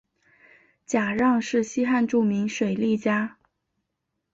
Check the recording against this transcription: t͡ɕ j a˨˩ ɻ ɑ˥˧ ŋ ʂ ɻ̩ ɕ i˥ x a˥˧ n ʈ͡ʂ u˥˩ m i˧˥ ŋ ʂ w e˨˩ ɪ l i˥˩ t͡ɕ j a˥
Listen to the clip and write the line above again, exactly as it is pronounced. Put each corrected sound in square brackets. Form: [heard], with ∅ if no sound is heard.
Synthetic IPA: t͡ɕ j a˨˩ ɻ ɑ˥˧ ŋ ʂ ɻ̩ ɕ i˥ x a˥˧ n ʈ͡ʂ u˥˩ m i˧˥ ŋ ʂ w e˨˩ ɪ l i˥˩ t͡ɕ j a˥